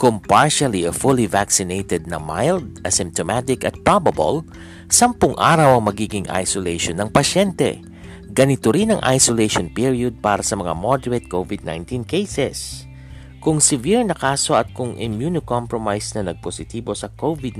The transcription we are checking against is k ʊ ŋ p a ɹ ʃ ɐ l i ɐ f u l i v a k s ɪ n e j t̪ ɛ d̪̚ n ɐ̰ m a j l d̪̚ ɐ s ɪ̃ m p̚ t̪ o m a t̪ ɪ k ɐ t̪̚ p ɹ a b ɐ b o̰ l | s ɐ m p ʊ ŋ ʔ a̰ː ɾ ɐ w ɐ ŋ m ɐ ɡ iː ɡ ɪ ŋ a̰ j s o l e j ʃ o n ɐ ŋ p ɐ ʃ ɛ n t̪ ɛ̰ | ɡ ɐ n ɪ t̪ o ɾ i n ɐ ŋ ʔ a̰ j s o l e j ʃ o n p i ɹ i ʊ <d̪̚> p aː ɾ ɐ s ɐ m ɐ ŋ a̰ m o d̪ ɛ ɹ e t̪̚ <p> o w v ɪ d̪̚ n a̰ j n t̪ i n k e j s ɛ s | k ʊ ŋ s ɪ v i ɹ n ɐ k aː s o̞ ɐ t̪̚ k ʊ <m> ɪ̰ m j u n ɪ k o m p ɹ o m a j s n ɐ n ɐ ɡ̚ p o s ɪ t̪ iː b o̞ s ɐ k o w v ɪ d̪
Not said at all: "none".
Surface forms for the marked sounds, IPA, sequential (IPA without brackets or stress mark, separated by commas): d̪̚, k, ŋ